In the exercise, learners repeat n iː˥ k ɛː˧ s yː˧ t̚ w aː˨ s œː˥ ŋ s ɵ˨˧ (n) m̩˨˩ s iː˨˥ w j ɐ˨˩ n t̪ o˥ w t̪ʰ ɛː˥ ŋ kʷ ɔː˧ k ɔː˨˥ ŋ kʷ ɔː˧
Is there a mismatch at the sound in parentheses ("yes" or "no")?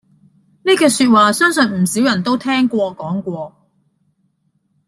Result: no